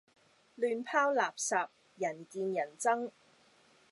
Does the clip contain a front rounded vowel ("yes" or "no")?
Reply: yes